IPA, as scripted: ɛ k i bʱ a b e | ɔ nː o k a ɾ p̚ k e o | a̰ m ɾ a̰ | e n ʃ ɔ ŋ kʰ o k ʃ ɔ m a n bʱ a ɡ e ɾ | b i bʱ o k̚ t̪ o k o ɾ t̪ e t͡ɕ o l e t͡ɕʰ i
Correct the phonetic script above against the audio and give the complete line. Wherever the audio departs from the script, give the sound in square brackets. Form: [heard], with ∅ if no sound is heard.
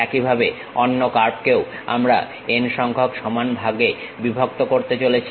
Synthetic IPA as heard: ɛ k i bʱ a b e | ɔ nː o k a ɾ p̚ k e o | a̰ m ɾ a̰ | e n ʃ ɔ ŋ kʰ o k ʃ ɔ m a n bʱ a ɡ e [∅] | b i bʱ o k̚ t̪ o k o ɾ t̪ e t͡ɕ o l e t͡ɕʰ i

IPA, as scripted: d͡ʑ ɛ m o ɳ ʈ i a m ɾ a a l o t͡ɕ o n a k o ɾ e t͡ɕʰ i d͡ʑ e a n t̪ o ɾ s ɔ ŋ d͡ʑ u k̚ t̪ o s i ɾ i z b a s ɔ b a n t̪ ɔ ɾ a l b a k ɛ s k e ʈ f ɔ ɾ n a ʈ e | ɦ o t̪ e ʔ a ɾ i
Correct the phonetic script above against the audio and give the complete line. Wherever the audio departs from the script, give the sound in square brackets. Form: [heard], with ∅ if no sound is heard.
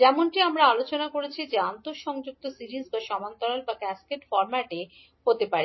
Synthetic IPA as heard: d͡ʑ ɛ m o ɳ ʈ i a m ɾ a a l o t͡ɕ o n a k o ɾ e t͡ɕʰ i d͡ʑ e a n t̪ o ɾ [ʃ] ɔ ŋ d͡ʑ u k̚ t̪ o s i ɾ i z b a [ʃ] ɔ [m] a n t̪ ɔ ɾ a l b a k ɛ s k e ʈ f ɔ ɾ [m] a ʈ e | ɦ o t̪ e [p] a ɾ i

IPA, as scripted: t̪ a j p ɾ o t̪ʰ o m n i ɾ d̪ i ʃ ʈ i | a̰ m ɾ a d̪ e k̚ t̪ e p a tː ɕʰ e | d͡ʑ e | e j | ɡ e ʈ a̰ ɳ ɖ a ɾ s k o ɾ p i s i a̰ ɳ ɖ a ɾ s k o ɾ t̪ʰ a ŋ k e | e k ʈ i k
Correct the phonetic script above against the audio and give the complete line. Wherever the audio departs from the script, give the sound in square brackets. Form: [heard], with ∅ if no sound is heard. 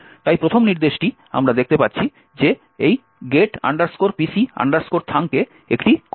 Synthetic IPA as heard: t̪ a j p ɾ o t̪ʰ o m n i ɾ d̪ [e] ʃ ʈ i | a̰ m ɾ a d̪ e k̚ t̪ e p a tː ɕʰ [i] | d͡ʑ e | e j | ɡ e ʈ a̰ ɳ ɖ a ɾ s k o ɾ p i s i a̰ ɳ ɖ a ɾ s k o ɾ t̪ʰ a ŋ k e | e k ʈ i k

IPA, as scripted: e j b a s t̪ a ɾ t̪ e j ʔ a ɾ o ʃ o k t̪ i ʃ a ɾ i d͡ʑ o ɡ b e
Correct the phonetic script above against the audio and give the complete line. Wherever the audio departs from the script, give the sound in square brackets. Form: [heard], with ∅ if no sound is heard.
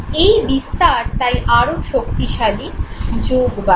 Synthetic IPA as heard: e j b [i] s t̪ a ɾ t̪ [a] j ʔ a ɾ o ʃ o k t̪ i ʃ a [l] i d͡ʑ o ɡ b [a]

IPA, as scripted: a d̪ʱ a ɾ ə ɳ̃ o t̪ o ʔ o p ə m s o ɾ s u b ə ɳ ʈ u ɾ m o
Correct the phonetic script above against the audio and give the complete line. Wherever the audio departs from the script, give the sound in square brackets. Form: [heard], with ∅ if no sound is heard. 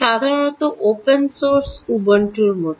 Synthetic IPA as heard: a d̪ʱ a ɾ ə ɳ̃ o t̪ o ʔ o p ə [n] s o ɾ s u b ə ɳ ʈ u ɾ m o

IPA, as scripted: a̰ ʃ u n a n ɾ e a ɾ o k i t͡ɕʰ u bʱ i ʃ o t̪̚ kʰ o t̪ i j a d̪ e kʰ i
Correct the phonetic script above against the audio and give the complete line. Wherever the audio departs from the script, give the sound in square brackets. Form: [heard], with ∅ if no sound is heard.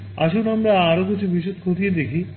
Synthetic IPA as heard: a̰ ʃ u n a [m] ɾ [a] a ɾ o k i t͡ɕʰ u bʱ i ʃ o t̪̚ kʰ o t̪ i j [e] d̪ e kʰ i

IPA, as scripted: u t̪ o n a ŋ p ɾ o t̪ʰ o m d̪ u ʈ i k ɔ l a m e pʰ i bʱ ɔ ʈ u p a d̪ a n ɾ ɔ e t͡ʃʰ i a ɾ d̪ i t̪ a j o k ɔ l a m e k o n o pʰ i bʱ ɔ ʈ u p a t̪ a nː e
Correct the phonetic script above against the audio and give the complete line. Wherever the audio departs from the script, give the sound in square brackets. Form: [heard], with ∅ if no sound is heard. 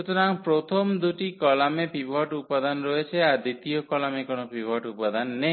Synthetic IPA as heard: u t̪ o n a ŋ p ɾ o t̪ʰ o m d̪ u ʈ i k ɔ l a m e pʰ i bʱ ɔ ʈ u p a d̪ a n ɾ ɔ e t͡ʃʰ [e] a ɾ d̪ i t̪ [i] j o k ɔ l a m e k o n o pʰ i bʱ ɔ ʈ u p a [d̪] a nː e

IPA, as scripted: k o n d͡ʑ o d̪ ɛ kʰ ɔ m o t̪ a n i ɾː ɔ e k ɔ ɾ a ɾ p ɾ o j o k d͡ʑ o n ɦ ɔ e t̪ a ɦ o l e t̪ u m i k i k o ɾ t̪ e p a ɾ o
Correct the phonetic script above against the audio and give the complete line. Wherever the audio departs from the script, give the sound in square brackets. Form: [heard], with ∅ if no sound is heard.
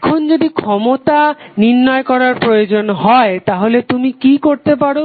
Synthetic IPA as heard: [kʰ] o n d͡ʑ o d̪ [i] kʰ ɔ m o t̪ a n i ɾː ɔ e k ɔ ɾ a ɾ p ɾ o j o [∅] d͡ʑ o n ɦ ɔ e t̪ a ɦ o l e t̪ u m i k i k o ɾ t̪ e p a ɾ o

